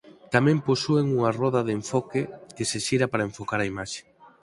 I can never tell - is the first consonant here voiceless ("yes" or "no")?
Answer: yes